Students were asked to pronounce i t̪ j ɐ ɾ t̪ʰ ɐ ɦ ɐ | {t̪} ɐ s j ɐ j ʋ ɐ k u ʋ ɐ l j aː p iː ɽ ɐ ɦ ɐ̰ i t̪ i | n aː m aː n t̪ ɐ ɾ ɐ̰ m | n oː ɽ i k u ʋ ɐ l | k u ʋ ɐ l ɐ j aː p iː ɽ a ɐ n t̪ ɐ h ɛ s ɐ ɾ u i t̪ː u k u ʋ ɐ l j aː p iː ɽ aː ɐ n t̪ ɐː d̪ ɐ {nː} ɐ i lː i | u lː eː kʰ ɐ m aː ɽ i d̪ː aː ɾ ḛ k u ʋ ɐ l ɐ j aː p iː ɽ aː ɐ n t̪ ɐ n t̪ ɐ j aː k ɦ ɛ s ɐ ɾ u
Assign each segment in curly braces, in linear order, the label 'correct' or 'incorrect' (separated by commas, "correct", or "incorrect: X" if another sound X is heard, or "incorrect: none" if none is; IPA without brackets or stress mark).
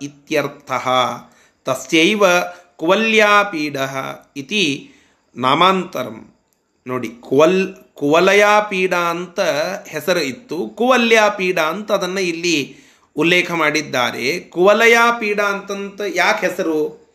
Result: correct, correct